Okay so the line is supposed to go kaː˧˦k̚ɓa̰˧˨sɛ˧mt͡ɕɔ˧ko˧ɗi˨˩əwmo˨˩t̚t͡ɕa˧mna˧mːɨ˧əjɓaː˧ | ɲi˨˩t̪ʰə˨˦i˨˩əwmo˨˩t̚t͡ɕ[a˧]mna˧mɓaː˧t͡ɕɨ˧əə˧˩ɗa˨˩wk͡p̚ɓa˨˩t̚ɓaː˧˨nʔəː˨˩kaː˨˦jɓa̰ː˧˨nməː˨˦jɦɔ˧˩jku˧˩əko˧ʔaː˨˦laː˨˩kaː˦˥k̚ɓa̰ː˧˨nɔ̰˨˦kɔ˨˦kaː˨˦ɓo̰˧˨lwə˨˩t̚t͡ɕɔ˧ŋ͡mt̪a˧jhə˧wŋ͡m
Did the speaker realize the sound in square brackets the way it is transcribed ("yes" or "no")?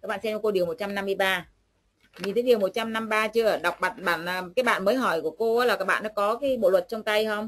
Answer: yes